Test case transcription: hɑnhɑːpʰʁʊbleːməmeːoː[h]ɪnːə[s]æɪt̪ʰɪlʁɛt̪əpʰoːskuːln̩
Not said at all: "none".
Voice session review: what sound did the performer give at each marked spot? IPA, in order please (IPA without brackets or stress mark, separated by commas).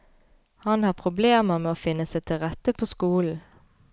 f, s